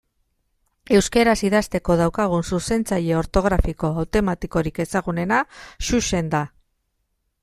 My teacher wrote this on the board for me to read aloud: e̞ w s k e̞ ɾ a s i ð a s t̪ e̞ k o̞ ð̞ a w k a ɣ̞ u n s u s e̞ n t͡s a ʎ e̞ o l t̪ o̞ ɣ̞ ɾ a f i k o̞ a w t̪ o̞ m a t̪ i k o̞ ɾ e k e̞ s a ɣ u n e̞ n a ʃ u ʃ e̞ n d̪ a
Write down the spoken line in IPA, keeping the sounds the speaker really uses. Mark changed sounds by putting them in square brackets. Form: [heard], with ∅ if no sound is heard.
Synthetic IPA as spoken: e̞ w s k e̞ ɾ a s i ð a s t̪ e̞ k o̞ ð̞ a w k a ɣ̞ u n s u s e̞ n t͡s a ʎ e̞ o [ɾ] t̪ o̞ ɣ̞ ɾ a f i k o̞ a w t̪ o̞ m a t̪ i k o̞ ɾ [i] k e̞ s a ɣ u n e̞ n a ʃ u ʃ e̞ n d̪ a